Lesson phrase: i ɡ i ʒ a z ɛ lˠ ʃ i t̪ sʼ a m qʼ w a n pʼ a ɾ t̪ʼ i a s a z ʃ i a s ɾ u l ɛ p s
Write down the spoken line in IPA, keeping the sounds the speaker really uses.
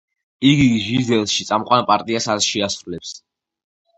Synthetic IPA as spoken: i ɡ i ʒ i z ɛ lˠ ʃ i t̪ sʼ a m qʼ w a n pʼ a ɾ t̪ʼ i a s a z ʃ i a s ɾ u l ɛ p s